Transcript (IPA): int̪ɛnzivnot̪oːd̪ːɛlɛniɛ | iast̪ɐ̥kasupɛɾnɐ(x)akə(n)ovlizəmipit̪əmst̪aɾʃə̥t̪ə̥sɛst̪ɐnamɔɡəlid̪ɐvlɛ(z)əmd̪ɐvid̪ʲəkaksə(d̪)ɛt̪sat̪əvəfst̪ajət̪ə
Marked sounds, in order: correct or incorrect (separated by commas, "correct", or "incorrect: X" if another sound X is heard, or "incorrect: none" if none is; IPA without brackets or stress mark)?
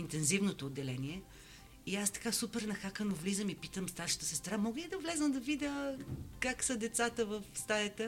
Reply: correct, correct, correct, correct